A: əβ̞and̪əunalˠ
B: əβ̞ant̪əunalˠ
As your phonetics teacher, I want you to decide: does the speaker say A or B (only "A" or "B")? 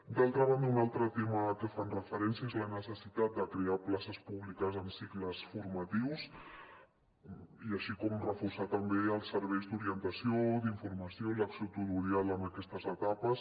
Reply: A